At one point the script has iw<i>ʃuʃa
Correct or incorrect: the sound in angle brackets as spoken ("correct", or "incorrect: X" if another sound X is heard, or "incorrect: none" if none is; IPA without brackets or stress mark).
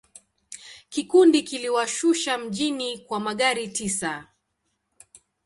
incorrect: a